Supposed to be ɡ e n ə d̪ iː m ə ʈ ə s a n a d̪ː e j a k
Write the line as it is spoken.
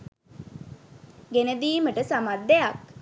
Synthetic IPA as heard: ɡ e n ə d̪ iː m ə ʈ ə s a m a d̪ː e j a k